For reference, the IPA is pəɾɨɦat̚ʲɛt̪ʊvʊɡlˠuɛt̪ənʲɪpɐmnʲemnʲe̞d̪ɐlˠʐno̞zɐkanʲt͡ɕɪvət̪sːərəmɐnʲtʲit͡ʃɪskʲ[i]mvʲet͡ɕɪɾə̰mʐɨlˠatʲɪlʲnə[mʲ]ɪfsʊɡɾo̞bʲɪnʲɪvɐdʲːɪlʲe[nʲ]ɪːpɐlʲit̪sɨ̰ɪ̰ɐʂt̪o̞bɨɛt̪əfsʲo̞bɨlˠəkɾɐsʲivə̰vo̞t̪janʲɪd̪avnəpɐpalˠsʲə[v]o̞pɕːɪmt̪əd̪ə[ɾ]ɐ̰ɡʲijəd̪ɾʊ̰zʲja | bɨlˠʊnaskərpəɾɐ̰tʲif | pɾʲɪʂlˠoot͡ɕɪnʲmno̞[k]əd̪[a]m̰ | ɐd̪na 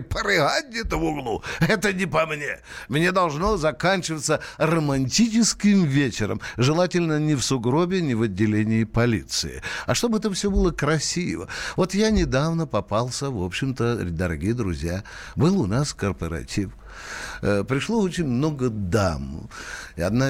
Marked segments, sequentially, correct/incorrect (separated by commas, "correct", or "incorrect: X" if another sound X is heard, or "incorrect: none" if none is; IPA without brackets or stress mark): incorrect: ɪ, incorrect: nʲ, correct, correct, correct, incorrect: ɡ, correct